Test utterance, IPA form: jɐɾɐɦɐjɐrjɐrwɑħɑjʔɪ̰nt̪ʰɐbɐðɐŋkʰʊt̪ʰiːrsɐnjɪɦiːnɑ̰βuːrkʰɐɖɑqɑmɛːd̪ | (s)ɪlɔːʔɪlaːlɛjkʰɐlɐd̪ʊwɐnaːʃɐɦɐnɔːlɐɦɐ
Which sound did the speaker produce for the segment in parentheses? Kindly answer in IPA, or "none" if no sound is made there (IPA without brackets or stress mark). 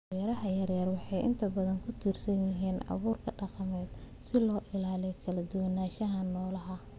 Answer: s